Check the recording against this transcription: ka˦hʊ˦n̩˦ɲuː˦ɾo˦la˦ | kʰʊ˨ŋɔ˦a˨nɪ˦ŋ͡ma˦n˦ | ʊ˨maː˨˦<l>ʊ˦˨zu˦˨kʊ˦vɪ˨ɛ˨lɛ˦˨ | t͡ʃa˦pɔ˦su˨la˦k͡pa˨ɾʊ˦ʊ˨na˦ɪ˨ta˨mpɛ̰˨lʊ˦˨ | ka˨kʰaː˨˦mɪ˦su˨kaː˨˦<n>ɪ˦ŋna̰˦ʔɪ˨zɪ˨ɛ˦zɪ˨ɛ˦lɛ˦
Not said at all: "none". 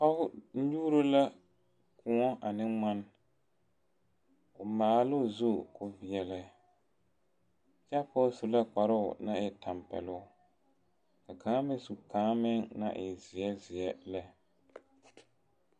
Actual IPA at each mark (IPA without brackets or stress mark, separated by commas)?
l, m